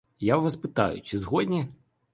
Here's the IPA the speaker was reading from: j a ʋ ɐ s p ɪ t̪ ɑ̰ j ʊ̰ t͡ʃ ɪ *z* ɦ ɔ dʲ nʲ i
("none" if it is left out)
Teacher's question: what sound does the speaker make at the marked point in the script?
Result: z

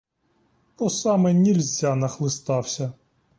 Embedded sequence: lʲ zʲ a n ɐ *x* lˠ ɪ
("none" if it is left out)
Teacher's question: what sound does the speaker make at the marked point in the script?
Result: x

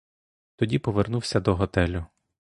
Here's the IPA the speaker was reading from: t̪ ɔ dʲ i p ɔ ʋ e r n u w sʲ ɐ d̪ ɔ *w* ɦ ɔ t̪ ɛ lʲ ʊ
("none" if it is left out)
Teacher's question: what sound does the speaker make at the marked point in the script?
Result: none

